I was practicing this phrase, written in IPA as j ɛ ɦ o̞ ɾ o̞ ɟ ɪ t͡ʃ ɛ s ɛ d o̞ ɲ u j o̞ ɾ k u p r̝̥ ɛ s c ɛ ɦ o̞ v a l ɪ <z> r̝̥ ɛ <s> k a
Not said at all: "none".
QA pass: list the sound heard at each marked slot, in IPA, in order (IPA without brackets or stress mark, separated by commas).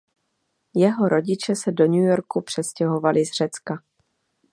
z, t͡s